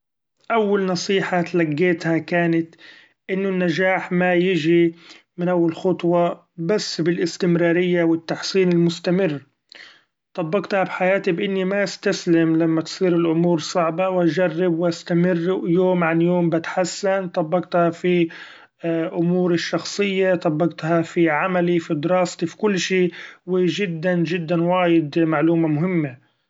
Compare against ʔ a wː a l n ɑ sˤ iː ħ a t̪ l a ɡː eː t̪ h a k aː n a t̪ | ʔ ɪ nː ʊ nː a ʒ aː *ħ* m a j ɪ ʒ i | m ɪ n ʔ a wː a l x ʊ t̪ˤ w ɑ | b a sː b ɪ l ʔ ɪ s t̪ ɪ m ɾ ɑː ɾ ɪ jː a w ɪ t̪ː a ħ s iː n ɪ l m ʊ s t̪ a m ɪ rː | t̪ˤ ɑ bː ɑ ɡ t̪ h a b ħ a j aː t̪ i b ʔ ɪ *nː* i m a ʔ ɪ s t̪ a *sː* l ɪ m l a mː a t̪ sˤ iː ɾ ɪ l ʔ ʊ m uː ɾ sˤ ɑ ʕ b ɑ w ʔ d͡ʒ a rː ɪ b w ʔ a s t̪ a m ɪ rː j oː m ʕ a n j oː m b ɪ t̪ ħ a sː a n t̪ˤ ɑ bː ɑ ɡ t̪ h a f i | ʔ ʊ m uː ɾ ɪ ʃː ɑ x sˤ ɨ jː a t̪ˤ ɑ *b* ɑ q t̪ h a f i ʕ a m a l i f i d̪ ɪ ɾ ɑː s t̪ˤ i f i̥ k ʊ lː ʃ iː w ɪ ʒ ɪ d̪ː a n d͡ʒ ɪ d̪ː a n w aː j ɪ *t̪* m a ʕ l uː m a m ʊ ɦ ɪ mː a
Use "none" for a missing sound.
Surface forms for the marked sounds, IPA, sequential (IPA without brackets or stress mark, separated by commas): ħ, nː, s, bː, d̪